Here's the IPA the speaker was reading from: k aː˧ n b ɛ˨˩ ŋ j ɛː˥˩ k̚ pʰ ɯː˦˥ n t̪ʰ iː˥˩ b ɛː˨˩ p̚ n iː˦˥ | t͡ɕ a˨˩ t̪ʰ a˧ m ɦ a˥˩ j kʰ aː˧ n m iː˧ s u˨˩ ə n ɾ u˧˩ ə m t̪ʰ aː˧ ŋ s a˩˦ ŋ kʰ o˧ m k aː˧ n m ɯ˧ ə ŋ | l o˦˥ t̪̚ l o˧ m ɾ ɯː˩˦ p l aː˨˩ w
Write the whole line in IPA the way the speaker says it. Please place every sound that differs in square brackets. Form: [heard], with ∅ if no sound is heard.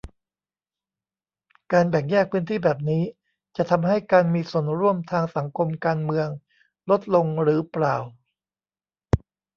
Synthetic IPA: k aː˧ n b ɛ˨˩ ŋ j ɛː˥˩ k̚ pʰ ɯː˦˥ n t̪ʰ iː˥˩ b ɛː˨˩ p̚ n iː˦˥ | t͡ɕ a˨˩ t̪ʰ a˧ m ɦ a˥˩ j [k] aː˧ n m iː˧ s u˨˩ ə n ɾ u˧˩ ə m t̪ʰ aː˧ ŋ s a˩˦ ŋ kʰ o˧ m k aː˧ n m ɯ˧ ə ŋ | l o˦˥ t̪̚ l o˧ [ŋ] ɾ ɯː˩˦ p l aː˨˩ w